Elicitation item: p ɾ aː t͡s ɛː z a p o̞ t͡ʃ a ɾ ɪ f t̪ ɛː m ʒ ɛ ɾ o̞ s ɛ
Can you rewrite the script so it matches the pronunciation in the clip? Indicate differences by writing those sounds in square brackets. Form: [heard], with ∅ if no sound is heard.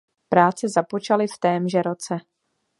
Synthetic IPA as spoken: p ɾ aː t͡s [ɛ] z a p o̞ t͡ʃ a [l] ɪ f t̪ ɛː m ʒ ɛ ɾ o̞ [t͡s] ɛ